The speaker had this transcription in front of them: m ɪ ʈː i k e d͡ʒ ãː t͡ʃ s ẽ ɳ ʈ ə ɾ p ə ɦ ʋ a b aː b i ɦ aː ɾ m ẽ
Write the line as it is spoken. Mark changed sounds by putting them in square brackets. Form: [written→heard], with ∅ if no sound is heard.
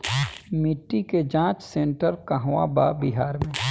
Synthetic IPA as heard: m ɪ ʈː i k e d͡ʒ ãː t͡ʃ s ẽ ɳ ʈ ə ɾ [p→k] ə ɦ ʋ a b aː b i ɦ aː ɾ m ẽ